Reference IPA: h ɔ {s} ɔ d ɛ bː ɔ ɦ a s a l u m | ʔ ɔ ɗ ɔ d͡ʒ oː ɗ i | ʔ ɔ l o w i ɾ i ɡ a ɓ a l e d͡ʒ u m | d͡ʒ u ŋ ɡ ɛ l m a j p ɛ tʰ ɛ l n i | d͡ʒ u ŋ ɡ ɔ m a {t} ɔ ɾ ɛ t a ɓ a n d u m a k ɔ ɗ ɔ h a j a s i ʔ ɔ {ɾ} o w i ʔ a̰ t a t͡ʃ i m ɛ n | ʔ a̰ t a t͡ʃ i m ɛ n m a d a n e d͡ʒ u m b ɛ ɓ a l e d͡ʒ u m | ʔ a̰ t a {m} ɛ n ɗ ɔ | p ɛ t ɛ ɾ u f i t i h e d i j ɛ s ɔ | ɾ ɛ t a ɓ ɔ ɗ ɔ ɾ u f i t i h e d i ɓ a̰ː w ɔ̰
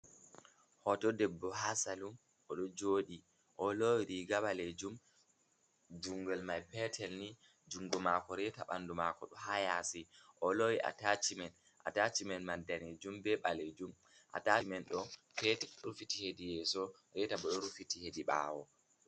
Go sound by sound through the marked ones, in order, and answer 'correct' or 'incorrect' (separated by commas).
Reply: incorrect, incorrect, incorrect, correct